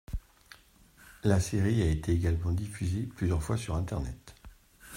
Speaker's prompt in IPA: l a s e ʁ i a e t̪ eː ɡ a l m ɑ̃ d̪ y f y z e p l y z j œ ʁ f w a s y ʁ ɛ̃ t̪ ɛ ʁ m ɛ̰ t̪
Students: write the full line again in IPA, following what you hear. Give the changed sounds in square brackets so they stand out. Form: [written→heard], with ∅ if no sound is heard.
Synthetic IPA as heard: l a s e ʁ i a e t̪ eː ɡ a l m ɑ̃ d̪ [y→i] f y z e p l y z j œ ʁ f w a s y ʁ ɛ̃ t̪ ɛ ʁ [m→n] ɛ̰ t̪